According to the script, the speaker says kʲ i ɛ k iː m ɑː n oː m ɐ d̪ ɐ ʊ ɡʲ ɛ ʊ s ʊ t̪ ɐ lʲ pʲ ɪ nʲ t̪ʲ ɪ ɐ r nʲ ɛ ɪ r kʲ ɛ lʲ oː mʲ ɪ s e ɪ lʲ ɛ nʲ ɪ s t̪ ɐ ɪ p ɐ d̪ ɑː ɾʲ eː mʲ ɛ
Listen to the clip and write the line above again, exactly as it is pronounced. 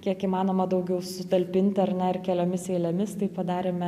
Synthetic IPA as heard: kʲ i ɛ k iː m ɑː n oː m ɐ d̪ ɐ ʊ ɡʲ ɛ ʊ s ʊ t̪ ɐ lʲ pʲ ɪ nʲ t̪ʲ ɪ ɐ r nʲ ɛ ɪ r kʲ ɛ lʲ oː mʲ ɪ s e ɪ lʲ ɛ mʲ ɪ s t̪ ɐ ɪ p ɐ d̪ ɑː ɾʲ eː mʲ ɛ

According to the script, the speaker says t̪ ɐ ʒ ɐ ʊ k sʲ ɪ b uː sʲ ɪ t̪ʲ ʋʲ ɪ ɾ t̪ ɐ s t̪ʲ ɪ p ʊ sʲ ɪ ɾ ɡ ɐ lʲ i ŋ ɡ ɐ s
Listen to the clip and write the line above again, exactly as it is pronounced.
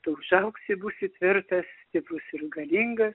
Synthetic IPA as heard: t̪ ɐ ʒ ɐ ʊ k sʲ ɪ b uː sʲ ɪ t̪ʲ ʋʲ ɪ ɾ t̪ ɐ s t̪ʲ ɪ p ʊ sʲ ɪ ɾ ɡ ɐ lʲ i ŋ ɡ ɐ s

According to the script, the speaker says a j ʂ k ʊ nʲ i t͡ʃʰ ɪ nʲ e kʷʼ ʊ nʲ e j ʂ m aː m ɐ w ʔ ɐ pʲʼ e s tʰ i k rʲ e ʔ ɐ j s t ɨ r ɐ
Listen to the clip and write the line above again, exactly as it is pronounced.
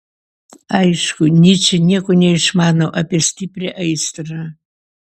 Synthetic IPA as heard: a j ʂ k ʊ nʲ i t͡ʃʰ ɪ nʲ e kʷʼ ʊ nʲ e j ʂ m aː n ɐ w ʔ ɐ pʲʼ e s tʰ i p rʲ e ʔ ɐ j s t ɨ r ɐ

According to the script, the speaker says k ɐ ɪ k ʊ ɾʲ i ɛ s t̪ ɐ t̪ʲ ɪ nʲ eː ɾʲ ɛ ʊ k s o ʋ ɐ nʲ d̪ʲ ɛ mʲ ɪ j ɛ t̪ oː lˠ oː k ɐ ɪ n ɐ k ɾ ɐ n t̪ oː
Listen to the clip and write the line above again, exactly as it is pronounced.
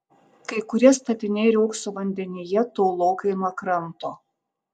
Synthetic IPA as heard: k ɐ ɪ k ʊ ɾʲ i ɛ s t̪ ɐ t̪ʲ ɪ nʲ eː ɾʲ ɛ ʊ k s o ʋ ɐ nʲ d̪ʲ ɛ nʲ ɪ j ɛ t̪ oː lˠ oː k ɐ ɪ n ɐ k ɾ ɐ n t̪ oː

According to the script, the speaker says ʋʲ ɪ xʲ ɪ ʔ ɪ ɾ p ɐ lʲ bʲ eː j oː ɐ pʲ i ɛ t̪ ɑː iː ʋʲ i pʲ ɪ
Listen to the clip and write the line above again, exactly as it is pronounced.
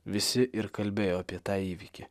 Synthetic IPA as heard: ʋʲ ɪ sʲ ɪ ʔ ɪ ɾ k ɐ lʲ bʲ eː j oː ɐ pʲ i ɛ t̪ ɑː iː ʋʲ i kʲ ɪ

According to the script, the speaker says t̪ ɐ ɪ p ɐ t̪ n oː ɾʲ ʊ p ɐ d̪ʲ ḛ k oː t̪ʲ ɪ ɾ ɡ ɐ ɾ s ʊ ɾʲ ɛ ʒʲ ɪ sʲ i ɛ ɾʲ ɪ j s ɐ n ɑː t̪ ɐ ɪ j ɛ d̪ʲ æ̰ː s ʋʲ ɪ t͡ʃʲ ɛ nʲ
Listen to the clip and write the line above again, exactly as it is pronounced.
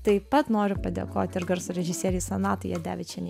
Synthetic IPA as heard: t̪ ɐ ɪ p ɐ t̪ n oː ɾʲ ʊ p ɐ d̪ʲ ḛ k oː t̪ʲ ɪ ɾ ɡ ɐ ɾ s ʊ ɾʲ ɛ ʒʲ ɪ sʲ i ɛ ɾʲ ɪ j s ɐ n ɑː t̪ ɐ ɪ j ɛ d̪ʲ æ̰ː ʋʲ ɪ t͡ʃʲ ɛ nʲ

